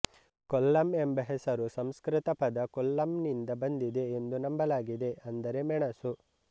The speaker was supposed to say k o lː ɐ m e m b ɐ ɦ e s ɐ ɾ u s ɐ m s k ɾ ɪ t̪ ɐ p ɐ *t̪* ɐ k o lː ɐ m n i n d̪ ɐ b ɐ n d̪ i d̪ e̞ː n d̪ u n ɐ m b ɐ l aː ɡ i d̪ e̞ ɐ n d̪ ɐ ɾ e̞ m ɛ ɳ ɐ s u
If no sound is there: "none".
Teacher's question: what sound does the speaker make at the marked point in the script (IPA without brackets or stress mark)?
d̪